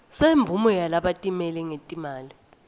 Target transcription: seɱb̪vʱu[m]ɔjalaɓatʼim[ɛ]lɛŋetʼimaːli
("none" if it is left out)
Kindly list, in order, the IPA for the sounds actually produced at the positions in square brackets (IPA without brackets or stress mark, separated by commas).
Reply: m, ɛ